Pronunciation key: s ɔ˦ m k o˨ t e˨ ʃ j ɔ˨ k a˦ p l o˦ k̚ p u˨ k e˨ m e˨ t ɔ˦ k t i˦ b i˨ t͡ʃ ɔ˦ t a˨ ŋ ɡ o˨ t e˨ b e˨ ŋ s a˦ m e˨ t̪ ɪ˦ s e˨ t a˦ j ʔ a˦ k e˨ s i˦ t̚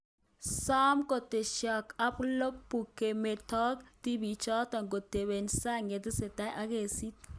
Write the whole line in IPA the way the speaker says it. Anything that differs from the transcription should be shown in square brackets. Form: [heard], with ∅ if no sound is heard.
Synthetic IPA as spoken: s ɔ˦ m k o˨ t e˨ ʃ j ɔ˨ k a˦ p l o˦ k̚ p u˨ k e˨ m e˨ t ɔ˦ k t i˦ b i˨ t͡ʃ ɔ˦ t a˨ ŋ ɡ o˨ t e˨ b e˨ [n] s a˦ [ŋ] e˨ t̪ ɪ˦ s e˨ t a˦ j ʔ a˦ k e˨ s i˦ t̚